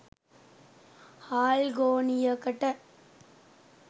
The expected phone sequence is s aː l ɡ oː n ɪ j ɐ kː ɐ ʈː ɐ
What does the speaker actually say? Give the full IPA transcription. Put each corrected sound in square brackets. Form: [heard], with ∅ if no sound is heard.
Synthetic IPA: [h] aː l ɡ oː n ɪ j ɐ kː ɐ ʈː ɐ